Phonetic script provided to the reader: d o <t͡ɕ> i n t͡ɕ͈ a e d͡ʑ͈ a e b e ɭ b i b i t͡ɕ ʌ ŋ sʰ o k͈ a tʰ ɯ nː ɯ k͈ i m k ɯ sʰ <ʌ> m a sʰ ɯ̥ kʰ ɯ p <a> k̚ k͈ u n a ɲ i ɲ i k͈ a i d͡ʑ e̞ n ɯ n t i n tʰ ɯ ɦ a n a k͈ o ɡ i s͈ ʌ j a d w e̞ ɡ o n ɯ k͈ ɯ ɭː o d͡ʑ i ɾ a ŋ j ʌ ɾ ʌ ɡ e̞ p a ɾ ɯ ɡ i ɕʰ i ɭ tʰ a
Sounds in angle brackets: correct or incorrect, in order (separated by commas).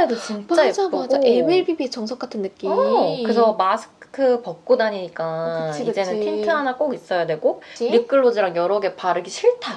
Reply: correct, correct, incorrect